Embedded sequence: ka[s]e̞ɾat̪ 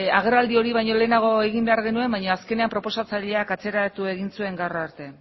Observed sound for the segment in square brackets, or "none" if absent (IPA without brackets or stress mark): t͡s